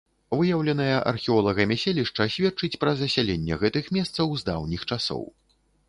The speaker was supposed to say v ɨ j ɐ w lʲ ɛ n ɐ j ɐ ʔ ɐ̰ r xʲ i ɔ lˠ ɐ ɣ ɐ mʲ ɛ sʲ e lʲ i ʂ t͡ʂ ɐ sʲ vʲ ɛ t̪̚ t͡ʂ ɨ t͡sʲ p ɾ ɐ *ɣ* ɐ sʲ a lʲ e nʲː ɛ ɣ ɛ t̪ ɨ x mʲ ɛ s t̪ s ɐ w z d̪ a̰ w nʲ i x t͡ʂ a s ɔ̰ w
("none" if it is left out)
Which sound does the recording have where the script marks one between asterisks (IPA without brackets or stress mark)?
z